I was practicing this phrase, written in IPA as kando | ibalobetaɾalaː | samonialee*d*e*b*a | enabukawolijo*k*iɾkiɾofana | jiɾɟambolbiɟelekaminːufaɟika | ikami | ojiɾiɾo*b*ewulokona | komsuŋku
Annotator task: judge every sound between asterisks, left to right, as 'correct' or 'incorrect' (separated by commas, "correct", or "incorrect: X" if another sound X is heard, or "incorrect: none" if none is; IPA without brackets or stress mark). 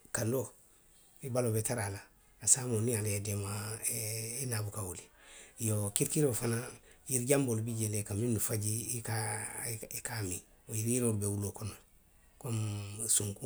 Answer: correct, incorrect: m, correct, correct